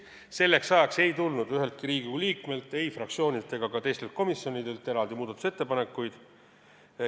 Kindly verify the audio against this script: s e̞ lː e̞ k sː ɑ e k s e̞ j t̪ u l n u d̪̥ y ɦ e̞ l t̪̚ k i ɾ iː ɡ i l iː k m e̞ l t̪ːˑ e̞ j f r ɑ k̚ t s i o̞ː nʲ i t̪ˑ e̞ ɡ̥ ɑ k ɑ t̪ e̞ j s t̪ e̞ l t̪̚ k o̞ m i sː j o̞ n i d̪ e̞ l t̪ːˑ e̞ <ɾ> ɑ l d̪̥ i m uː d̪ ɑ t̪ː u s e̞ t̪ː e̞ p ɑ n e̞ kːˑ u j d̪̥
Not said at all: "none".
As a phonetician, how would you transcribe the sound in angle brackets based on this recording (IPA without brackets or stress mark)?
ɾ